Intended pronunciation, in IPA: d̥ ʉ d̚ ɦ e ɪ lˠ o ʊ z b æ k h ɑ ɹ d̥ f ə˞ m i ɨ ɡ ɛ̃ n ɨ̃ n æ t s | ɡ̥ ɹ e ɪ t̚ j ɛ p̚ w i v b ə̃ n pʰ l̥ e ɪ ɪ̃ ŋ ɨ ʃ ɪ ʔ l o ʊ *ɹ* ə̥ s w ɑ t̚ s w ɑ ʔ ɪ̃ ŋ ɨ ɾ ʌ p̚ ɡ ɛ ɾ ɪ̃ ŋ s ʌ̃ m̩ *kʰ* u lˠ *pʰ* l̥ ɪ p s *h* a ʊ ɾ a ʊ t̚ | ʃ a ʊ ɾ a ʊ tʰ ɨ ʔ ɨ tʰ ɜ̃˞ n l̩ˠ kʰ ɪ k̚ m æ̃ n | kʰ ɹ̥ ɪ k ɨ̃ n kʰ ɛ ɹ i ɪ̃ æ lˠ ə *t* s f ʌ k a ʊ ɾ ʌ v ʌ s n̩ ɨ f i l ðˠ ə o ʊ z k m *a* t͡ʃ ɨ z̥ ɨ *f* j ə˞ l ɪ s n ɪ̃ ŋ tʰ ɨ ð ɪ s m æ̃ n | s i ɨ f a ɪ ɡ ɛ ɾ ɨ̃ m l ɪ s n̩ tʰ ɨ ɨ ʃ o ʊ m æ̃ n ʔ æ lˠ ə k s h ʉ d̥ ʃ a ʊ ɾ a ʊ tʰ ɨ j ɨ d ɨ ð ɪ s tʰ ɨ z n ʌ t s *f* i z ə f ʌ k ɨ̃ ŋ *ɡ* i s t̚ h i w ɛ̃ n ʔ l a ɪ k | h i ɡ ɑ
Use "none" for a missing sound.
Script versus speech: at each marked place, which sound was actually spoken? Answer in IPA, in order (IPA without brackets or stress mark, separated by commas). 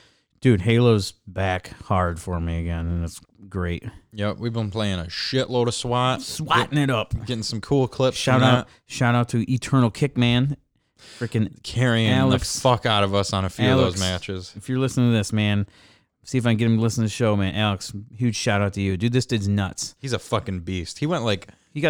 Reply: ɾ, kʰ, kʰ, ʃ, k, æ, f, h, b